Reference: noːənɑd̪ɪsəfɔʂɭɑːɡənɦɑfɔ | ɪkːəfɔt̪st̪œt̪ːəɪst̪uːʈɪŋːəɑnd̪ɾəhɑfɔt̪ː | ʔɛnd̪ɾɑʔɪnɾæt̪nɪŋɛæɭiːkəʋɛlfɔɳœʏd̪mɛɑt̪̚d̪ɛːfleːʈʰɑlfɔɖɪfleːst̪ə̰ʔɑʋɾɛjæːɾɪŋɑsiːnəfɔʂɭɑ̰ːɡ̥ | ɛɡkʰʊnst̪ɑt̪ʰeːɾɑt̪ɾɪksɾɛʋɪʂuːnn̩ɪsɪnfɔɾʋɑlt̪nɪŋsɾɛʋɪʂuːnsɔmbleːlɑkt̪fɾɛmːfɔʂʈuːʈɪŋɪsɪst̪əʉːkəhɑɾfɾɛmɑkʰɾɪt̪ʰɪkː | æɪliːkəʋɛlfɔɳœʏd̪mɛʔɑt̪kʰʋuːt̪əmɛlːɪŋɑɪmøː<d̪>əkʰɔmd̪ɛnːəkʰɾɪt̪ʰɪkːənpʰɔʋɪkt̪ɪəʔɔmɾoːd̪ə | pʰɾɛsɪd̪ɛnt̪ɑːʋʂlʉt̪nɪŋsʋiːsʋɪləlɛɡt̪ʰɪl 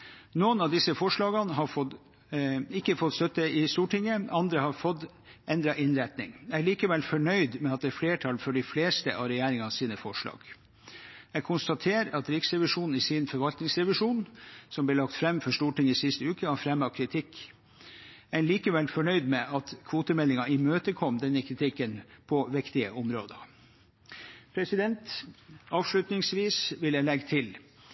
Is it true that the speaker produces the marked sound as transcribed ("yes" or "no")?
no